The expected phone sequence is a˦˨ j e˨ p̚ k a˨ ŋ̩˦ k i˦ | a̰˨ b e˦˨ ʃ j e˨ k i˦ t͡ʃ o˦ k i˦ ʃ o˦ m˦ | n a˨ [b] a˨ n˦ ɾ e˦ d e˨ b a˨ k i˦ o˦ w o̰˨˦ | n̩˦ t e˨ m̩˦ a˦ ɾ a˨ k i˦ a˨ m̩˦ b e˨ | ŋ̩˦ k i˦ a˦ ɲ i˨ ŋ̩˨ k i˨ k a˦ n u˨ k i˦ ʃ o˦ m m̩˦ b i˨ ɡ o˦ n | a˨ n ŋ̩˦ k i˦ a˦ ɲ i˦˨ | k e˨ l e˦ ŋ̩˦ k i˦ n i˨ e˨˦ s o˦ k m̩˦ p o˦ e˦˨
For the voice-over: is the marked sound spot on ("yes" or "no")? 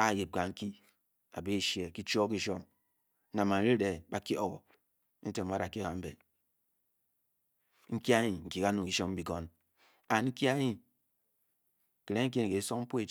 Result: no